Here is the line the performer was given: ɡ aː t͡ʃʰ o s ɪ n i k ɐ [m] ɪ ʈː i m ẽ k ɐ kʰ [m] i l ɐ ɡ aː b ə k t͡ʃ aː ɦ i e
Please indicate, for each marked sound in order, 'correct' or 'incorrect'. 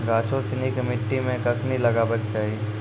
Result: correct, incorrect: n

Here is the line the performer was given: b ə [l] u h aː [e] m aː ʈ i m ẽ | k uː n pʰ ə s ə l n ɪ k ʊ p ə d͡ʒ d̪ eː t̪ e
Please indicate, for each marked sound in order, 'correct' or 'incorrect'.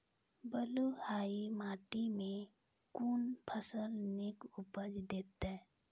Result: correct, incorrect: i

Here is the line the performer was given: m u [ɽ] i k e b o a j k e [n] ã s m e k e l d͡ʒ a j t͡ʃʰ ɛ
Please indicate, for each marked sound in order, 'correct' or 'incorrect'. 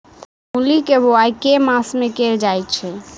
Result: incorrect: l, incorrect: m

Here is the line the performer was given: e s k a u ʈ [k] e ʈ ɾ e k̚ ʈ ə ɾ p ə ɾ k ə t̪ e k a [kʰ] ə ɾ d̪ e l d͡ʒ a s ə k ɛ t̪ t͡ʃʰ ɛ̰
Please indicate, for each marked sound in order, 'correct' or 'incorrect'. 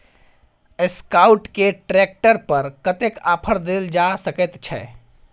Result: correct, incorrect: pʰ

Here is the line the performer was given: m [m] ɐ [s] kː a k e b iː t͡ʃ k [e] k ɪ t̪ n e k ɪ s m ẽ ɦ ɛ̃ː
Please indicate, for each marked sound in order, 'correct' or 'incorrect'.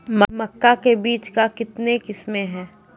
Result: correct, incorrect: none, incorrect: a

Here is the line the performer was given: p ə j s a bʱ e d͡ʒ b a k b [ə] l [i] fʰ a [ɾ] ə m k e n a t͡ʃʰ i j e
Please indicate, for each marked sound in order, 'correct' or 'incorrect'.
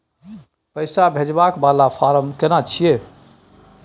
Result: incorrect: a, incorrect: a, correct

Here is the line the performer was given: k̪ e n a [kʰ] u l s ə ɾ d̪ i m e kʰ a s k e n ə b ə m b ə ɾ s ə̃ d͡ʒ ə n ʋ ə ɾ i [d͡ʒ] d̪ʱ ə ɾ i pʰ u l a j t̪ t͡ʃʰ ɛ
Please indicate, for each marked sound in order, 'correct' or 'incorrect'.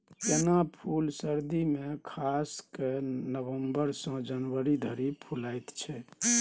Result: incorrect: pʰ, incorrect: none

